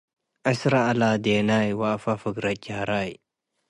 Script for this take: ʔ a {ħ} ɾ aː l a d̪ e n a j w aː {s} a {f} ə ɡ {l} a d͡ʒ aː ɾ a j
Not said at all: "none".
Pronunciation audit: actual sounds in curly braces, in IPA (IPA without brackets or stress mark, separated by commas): s, f, f, ɾ